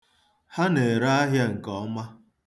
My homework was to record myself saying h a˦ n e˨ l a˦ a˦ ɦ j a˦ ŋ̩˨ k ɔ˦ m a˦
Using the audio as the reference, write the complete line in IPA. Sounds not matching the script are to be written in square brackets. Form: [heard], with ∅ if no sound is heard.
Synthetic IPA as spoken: h a˦ n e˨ [ɾ] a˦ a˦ ɦ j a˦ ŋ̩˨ k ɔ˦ m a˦